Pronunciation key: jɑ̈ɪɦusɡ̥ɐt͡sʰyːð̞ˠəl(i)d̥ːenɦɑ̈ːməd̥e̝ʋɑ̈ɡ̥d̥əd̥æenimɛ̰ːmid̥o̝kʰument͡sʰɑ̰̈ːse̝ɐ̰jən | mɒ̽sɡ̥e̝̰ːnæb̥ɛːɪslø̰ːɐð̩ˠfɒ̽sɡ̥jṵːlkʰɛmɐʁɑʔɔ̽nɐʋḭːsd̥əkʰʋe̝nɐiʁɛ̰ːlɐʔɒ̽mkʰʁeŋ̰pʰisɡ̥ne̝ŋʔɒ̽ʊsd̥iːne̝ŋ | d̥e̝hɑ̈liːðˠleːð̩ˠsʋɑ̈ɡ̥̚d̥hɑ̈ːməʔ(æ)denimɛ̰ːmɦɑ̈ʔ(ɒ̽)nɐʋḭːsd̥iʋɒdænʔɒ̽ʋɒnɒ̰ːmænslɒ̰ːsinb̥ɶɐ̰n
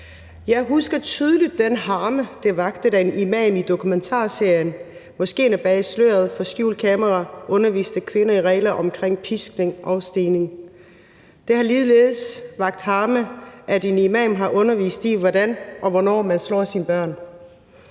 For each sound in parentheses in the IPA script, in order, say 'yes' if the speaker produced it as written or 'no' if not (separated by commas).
yes, yes, no